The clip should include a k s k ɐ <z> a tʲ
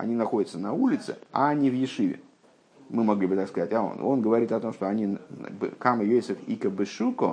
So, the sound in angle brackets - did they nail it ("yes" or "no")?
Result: yes